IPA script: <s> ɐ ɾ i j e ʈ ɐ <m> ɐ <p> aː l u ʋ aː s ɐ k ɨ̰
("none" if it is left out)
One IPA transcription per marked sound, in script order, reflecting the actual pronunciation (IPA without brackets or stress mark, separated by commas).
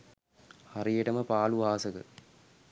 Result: h, m, p